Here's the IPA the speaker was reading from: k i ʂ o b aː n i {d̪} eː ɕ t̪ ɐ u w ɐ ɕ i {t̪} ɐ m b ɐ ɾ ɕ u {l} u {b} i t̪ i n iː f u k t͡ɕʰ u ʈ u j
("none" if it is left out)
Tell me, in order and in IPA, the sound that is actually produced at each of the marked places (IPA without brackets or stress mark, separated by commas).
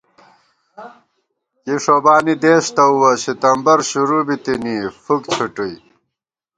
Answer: d̪, t̪, ɾ, b